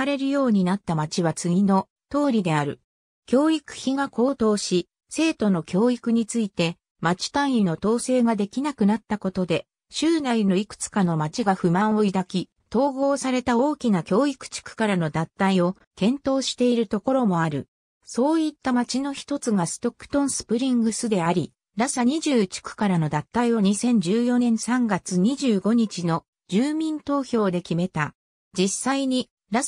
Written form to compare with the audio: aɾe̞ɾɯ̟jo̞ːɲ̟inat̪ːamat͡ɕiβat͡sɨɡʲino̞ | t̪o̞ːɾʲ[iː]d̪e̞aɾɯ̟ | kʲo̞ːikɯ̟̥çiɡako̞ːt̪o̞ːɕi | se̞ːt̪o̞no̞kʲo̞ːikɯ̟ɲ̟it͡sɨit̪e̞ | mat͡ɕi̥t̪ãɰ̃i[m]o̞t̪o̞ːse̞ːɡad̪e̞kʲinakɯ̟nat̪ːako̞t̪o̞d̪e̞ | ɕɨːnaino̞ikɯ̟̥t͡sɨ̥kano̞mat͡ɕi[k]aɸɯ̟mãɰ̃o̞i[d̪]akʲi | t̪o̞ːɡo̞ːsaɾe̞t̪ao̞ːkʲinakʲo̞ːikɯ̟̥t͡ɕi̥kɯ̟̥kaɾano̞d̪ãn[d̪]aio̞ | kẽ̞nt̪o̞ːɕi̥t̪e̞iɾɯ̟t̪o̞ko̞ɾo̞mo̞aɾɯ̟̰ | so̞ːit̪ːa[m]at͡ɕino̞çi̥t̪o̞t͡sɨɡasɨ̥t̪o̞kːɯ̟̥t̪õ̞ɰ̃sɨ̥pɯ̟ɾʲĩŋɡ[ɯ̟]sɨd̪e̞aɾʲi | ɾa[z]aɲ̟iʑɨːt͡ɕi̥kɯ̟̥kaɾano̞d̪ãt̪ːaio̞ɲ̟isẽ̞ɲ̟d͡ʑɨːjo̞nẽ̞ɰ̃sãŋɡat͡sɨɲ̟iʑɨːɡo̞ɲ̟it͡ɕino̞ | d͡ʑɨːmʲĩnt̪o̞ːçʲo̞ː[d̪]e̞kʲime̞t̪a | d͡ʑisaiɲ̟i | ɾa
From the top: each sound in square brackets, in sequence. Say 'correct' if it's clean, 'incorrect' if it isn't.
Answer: incorrect, incorrect, incorrect, correct, incorrect, correct, correct, incorrect, correct

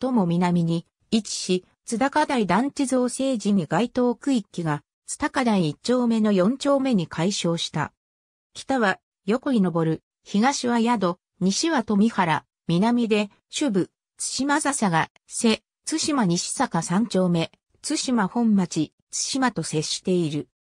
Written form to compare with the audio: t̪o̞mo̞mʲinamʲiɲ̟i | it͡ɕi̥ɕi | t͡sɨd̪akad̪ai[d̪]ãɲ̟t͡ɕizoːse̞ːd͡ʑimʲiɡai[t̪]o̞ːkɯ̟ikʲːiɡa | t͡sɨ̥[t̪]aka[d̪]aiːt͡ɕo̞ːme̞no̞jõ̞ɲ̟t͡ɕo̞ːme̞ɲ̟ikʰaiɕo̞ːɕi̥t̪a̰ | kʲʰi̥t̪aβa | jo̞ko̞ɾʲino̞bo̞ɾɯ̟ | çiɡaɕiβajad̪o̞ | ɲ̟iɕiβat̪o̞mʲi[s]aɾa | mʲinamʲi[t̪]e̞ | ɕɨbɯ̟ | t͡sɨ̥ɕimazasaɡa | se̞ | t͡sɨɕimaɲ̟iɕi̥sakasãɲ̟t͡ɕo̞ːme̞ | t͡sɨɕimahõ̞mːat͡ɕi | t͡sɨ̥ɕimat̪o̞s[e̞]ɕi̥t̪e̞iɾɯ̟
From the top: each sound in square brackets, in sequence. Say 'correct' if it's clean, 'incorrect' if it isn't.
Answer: correct, correct, correct, correct, incorrect, incorrect, correct

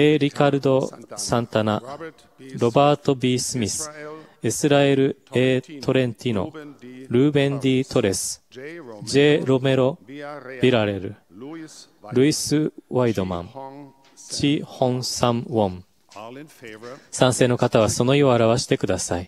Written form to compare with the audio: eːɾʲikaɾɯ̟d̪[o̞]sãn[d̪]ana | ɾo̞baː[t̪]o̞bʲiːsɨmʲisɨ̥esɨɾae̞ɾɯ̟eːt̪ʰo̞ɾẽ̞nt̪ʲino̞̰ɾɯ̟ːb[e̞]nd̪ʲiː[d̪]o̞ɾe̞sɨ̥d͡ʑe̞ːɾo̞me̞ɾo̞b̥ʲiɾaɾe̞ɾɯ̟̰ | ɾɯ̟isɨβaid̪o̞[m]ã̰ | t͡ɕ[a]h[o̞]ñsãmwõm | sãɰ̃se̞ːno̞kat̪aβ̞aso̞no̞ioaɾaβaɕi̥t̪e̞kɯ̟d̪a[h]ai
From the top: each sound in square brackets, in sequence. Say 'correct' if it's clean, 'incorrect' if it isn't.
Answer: correct, incorrect, correct, incorrect, incorrect, correct, incorrect, incorrect, incorrect

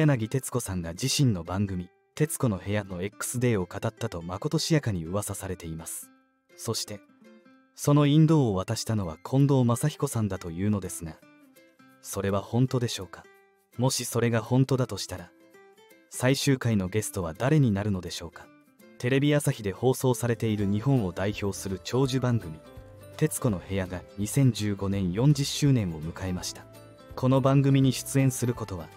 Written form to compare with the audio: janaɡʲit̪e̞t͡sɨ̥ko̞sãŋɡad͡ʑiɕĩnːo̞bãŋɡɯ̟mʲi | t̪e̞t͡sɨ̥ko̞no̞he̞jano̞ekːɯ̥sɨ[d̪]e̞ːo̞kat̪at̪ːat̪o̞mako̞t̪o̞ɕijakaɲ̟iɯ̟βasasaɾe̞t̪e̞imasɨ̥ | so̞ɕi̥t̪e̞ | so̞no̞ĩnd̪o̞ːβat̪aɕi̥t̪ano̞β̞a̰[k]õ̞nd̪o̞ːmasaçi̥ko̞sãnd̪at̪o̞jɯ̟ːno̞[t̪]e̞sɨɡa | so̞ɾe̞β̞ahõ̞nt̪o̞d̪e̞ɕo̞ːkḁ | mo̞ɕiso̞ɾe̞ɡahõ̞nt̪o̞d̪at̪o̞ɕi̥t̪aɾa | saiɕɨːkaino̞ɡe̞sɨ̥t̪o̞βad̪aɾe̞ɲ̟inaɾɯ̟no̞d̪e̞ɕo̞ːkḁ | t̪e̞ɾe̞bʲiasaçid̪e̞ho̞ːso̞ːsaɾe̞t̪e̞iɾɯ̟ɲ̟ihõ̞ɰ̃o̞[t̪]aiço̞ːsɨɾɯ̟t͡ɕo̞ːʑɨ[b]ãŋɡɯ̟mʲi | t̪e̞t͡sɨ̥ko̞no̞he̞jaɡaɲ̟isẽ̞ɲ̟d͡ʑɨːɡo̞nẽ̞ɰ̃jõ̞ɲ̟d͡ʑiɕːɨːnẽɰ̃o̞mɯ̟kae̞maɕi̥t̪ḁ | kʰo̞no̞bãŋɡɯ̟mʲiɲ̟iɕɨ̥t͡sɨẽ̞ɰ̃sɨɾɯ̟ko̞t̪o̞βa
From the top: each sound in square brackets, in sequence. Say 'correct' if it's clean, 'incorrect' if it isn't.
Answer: correct, incorrect, incorrect, incorrect, correct

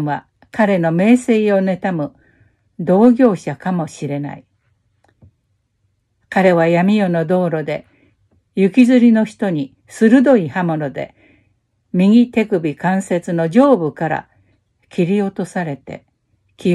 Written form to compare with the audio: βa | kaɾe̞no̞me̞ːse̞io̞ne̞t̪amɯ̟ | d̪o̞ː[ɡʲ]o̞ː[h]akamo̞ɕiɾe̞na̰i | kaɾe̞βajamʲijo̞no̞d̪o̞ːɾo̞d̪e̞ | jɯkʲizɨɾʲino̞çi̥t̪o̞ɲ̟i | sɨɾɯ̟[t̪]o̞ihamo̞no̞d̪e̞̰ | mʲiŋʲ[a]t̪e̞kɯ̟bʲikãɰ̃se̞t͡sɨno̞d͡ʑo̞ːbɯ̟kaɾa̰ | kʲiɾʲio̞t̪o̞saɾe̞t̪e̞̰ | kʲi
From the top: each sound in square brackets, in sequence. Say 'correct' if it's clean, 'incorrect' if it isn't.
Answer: correct, incorrect, incorrect, incorrect

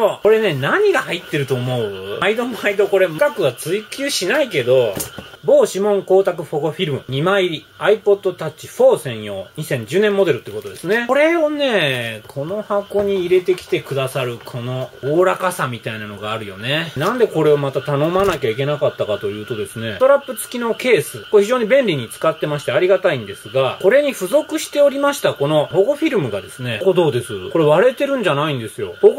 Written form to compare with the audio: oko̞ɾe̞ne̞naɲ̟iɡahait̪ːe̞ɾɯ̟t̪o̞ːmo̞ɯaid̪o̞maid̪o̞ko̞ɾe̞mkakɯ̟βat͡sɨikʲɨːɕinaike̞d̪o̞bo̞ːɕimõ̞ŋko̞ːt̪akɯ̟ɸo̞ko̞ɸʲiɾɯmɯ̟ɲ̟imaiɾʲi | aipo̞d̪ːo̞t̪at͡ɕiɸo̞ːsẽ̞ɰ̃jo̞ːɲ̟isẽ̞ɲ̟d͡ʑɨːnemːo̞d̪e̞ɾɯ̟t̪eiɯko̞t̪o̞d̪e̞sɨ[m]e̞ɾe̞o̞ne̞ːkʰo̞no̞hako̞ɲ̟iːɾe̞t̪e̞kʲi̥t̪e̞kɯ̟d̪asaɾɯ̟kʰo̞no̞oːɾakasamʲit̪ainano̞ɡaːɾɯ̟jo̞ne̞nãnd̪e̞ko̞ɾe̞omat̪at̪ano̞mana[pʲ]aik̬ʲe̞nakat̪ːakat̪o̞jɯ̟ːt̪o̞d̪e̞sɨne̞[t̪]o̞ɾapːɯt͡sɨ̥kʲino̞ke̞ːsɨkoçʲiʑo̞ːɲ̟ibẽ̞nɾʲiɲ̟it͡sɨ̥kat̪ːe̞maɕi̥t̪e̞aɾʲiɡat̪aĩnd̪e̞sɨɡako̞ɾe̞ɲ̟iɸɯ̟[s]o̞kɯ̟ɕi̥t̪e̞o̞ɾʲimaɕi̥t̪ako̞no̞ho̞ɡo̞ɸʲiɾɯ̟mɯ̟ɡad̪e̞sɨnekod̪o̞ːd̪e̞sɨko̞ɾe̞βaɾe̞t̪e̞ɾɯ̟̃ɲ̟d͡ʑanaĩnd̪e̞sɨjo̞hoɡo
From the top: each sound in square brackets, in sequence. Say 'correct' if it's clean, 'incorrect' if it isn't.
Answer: incorrect, incorrect, correct, incorrect

